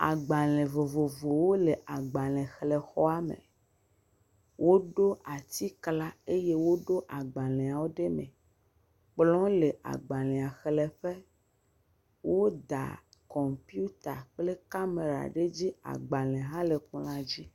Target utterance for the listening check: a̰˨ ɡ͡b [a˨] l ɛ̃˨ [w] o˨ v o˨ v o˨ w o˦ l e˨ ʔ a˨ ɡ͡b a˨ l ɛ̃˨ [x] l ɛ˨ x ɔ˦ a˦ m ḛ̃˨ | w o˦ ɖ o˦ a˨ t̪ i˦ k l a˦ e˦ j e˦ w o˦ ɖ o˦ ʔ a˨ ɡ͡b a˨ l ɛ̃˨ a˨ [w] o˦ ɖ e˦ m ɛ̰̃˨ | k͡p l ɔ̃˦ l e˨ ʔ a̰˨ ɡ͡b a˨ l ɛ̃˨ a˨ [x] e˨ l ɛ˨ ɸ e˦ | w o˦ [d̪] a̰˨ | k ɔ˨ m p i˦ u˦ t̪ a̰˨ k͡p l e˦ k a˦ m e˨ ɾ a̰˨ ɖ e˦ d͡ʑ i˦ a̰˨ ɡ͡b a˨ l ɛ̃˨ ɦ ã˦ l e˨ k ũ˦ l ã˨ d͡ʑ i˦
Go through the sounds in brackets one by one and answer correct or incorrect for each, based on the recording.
correct, incorrect, correct, correct, correct, correct

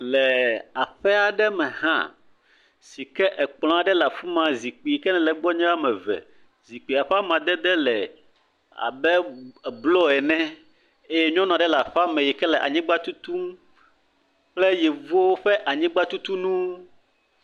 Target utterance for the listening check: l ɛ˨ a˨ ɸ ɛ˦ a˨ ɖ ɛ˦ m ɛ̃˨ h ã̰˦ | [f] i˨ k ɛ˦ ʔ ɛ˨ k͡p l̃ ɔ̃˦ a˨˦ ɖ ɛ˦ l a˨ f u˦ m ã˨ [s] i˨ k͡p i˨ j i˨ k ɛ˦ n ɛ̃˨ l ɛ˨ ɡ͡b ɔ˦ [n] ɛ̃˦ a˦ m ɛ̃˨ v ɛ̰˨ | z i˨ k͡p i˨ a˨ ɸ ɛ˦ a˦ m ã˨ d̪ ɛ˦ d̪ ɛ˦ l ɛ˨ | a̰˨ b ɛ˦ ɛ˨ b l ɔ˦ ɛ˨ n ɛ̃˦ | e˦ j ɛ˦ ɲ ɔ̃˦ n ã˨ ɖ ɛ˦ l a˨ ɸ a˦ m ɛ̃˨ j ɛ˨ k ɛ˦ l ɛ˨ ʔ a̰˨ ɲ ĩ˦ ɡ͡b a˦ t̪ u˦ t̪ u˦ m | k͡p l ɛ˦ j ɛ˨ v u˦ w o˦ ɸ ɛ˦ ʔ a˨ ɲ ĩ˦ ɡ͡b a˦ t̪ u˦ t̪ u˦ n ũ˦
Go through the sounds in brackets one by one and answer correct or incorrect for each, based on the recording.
incorrect, incorrect, incorrect

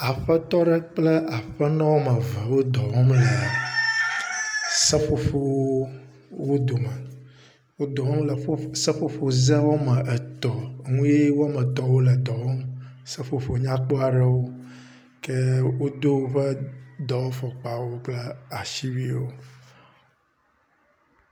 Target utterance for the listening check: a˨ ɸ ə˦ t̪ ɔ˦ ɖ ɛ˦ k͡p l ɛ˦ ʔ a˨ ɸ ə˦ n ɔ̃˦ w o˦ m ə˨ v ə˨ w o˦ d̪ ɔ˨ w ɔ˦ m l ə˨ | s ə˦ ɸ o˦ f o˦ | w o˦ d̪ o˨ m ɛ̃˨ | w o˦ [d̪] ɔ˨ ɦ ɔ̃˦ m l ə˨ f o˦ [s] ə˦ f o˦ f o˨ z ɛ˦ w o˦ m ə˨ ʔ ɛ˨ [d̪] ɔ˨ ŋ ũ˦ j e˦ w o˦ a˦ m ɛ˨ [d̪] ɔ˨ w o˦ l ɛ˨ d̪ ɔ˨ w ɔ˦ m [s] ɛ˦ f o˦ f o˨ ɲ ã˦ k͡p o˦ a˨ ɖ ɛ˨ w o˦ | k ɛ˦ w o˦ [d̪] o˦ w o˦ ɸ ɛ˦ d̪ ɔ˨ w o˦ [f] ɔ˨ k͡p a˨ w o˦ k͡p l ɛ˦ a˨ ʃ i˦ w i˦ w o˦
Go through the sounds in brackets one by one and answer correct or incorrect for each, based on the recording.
correct, correct, incorrect, incorrect, correct, correct, correct

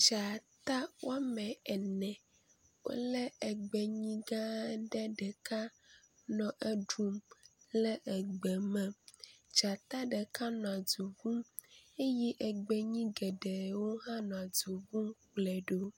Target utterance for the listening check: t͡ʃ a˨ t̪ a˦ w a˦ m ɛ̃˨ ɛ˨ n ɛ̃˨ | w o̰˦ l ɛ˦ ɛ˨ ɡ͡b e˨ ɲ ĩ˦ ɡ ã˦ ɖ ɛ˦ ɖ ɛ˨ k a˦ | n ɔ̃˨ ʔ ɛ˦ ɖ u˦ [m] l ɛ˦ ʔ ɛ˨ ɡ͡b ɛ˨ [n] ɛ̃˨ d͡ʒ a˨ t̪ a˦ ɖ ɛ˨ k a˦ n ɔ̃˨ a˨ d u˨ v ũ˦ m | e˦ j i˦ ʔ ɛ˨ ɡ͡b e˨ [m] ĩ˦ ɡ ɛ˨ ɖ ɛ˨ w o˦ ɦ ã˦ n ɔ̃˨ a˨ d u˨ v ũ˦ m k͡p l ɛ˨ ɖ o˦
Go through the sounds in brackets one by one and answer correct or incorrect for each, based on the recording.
correct, incorrect, incorrect

